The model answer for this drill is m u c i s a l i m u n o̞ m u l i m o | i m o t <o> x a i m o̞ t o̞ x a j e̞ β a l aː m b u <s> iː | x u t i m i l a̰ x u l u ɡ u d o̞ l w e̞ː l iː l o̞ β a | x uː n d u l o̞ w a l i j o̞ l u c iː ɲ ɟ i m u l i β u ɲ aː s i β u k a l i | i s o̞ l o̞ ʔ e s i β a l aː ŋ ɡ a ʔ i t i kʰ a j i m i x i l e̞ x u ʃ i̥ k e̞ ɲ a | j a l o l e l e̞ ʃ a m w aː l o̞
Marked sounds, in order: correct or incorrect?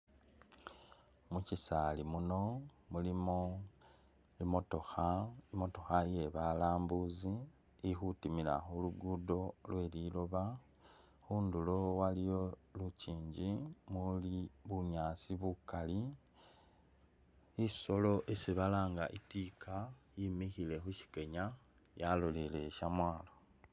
correct, incorrect

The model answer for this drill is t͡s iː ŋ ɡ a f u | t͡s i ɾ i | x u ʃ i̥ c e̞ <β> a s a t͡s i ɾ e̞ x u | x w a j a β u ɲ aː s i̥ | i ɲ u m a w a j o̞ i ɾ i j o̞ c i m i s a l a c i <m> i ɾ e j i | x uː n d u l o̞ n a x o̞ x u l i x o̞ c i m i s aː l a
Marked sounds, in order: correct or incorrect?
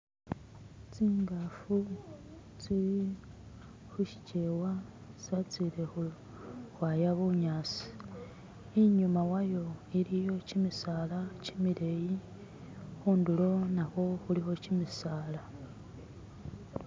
incorrect, correct

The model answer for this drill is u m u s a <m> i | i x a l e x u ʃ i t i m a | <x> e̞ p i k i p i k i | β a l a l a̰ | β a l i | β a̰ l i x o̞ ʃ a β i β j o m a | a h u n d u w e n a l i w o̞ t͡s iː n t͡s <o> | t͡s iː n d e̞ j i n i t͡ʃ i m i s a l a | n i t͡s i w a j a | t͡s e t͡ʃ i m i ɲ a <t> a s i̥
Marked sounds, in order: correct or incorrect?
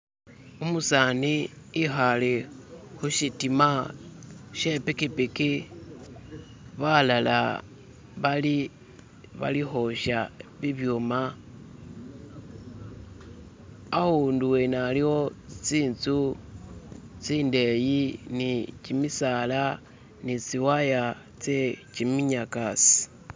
incorrect, incorrect, incorrect, incorrect

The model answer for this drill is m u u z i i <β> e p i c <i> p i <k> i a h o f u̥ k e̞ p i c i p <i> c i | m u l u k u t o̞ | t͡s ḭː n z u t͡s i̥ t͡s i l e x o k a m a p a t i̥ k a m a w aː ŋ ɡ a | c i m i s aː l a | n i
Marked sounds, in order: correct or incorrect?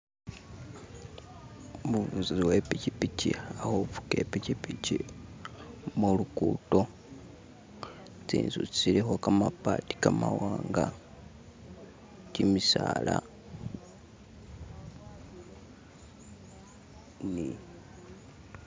incorrect, correct, incorrect, correct

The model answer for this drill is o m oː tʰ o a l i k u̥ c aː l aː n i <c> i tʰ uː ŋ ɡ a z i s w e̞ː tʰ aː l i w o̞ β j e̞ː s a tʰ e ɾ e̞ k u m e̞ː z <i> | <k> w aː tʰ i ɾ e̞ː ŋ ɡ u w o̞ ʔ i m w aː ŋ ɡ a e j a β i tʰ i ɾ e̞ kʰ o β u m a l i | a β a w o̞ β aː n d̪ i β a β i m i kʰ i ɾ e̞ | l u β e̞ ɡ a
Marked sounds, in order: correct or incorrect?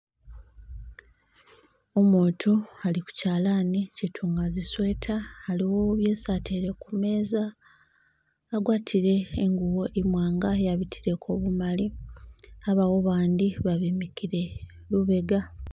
correct, incorrect, incorrect

